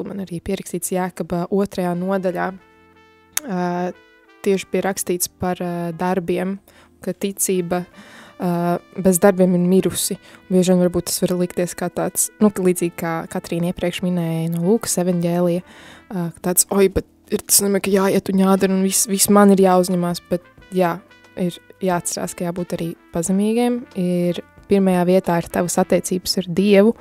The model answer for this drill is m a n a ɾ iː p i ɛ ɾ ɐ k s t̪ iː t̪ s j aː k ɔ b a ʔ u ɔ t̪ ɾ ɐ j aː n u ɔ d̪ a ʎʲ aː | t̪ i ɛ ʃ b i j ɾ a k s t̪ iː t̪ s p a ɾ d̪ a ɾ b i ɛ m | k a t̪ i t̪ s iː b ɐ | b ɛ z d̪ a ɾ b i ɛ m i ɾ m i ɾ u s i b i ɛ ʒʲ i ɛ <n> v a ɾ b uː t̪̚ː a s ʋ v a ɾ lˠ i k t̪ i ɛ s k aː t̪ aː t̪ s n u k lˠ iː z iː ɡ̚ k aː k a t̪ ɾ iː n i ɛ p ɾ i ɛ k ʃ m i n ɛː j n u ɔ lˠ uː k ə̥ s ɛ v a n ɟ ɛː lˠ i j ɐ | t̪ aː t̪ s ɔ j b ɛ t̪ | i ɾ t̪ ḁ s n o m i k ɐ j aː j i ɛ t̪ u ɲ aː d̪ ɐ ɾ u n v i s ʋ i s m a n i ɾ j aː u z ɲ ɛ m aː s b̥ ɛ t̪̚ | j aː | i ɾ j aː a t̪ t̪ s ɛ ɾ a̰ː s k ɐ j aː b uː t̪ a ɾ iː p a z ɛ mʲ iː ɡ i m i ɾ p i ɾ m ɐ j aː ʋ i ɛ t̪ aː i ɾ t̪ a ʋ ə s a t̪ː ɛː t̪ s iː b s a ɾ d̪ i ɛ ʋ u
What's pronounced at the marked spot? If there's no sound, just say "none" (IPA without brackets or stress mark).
n